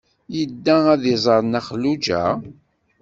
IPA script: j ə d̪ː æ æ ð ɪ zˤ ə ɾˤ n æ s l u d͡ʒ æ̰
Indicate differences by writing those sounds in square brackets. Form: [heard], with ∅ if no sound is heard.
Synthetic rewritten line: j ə d̪ː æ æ ð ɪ zˤ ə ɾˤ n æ [χ] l u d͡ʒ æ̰